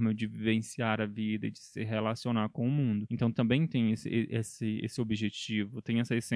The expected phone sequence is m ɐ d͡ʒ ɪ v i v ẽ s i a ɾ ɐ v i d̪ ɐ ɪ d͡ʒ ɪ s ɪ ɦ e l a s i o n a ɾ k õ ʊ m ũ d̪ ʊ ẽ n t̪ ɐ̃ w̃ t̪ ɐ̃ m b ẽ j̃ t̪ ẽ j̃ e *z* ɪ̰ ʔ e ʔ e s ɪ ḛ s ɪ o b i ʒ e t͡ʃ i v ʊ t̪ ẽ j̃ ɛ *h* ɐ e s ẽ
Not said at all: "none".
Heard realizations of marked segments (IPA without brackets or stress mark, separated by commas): s, s